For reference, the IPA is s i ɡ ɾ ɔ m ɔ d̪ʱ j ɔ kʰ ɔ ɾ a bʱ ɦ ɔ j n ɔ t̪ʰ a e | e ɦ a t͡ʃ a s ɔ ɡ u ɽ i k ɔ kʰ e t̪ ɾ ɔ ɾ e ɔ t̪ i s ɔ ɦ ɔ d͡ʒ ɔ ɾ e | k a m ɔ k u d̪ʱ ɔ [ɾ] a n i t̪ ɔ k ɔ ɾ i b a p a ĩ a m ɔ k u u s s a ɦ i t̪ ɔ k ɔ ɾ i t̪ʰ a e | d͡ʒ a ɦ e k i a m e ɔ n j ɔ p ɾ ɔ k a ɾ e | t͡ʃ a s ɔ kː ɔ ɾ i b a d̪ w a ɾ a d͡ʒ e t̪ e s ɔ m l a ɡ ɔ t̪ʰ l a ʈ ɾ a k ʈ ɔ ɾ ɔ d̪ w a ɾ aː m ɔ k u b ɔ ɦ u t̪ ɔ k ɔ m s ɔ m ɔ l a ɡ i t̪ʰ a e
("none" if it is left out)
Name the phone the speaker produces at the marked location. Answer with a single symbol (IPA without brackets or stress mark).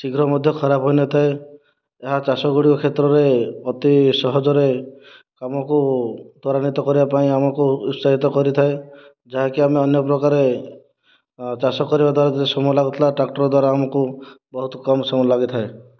ɾ